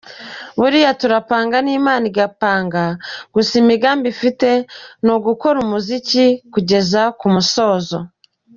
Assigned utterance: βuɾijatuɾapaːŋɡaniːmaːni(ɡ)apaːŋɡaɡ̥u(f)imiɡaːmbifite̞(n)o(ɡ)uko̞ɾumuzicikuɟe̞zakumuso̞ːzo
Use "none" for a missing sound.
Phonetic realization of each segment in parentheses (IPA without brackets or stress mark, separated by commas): ɡ, s, n, ɡ